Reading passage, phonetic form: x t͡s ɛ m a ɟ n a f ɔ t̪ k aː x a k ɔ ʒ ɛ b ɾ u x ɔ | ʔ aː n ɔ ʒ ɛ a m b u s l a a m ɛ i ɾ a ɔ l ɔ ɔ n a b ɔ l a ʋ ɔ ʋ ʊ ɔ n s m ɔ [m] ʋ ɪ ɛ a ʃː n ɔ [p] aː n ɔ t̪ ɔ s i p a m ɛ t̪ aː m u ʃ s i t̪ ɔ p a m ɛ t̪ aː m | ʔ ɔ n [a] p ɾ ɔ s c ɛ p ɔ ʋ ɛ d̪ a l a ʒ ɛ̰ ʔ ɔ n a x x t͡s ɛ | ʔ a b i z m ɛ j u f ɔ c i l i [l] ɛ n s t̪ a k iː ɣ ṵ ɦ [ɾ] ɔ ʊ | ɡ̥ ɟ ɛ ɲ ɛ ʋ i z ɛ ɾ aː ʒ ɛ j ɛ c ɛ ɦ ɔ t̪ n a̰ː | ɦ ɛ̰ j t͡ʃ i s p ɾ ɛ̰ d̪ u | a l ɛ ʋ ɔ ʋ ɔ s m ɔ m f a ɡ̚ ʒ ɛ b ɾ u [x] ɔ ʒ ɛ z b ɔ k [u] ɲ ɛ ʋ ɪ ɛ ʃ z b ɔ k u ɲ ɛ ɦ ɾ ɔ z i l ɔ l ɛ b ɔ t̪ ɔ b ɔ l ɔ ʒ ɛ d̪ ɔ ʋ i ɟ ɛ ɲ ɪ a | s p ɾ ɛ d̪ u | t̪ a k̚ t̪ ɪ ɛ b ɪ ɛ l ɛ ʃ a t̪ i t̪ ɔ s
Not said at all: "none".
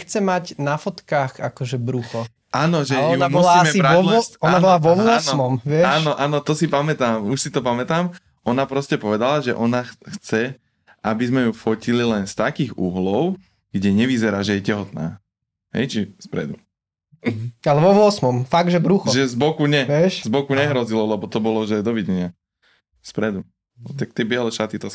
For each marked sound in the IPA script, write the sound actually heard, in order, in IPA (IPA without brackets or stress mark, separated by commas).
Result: m, ʔ, a, l, l, x, u